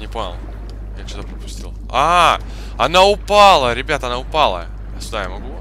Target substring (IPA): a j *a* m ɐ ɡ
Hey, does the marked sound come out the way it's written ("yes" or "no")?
yes